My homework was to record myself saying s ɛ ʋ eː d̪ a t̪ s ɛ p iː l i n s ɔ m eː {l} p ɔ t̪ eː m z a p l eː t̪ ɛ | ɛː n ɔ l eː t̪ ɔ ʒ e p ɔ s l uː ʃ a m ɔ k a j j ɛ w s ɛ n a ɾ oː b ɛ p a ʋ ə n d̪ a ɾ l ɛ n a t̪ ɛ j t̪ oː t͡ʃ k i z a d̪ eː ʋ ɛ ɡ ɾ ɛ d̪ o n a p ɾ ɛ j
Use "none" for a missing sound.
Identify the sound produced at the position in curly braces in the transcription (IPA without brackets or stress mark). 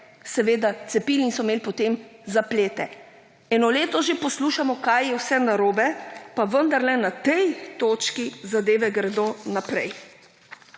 l